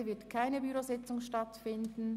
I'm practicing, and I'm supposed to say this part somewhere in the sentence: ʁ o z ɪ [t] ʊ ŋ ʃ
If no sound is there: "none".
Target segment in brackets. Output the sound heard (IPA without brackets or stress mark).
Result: t͡s